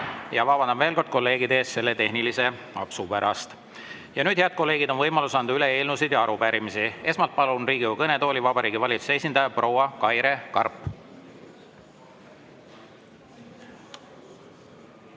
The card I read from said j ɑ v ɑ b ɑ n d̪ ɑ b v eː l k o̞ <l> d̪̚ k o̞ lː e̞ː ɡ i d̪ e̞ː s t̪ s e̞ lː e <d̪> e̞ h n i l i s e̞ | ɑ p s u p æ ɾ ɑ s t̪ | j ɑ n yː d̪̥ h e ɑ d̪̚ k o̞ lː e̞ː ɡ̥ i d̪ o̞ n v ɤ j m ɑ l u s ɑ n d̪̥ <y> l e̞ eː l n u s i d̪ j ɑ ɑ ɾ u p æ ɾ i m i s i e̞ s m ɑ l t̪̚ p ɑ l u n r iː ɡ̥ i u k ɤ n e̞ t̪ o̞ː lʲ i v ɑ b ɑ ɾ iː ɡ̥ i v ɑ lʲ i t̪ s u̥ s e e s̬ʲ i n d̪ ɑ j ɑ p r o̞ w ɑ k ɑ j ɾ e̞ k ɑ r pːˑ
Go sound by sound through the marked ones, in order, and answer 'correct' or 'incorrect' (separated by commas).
incorrect, incorrect, correct